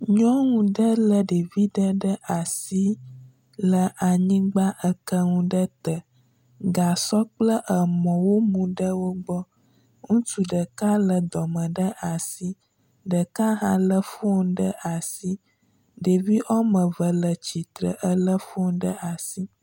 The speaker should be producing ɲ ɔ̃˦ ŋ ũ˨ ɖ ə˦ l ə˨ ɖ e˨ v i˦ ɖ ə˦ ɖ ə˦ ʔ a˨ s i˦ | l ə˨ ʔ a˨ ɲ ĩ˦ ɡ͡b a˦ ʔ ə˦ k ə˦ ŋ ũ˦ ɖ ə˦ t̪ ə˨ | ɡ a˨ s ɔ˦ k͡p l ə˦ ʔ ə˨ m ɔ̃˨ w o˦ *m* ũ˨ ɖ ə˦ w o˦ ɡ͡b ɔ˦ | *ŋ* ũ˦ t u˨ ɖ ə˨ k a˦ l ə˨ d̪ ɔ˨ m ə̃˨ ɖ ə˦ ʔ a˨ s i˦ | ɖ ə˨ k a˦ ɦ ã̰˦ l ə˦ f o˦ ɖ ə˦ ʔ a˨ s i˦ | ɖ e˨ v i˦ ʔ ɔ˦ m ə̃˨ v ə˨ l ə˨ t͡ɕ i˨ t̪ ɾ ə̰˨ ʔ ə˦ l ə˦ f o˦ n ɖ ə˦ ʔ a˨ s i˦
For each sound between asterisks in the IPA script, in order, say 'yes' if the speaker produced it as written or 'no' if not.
yes, yes

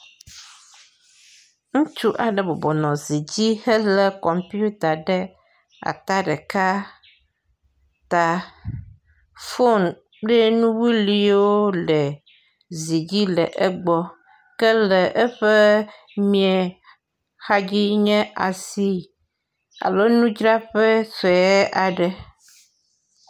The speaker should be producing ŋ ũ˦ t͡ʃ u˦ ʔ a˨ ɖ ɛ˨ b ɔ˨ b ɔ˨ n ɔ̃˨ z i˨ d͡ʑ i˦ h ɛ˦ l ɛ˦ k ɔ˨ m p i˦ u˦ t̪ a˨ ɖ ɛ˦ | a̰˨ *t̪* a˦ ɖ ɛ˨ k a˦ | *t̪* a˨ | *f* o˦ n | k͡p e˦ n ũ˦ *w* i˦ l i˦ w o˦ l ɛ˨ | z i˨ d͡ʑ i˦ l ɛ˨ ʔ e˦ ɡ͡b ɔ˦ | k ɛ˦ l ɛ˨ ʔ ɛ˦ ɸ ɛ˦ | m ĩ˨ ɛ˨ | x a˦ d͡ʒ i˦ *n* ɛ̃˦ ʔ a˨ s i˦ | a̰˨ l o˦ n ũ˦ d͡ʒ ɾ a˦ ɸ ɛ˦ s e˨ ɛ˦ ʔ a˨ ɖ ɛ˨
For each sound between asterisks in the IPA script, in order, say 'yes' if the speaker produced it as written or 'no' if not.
yes, yes, yes, yes, no

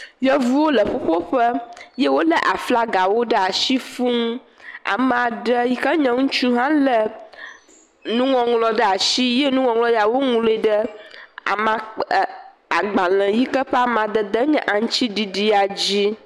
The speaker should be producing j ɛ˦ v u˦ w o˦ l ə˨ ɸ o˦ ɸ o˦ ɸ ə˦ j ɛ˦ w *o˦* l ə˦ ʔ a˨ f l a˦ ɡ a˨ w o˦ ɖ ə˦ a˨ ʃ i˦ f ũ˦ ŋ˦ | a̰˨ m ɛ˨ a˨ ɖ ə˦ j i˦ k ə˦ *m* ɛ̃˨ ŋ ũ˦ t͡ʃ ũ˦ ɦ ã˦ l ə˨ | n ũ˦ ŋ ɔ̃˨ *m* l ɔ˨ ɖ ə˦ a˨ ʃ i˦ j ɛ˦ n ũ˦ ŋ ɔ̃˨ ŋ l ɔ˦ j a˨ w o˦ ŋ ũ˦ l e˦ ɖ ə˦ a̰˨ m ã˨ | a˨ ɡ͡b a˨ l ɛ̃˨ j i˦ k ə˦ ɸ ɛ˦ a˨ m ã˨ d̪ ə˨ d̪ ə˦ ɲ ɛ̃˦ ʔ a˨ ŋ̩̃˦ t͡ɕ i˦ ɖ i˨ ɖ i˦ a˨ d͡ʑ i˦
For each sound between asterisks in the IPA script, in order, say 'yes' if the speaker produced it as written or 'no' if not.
yes, no, no

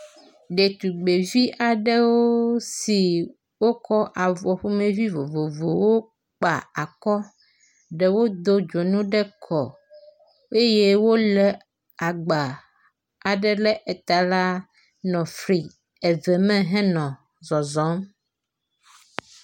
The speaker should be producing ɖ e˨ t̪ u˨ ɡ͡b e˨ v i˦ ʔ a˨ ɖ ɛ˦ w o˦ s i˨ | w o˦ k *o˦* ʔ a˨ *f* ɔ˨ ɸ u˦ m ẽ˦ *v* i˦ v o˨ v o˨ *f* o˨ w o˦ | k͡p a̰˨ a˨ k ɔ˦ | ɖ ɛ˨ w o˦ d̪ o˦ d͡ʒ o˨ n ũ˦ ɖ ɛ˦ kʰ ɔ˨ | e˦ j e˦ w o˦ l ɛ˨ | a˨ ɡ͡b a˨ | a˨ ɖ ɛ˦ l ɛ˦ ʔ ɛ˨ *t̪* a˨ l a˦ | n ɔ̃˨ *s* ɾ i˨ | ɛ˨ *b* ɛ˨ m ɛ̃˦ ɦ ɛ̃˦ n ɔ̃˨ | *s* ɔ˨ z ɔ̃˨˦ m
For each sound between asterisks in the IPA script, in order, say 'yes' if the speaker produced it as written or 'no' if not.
no, no, yes, no, yes, no, no, no

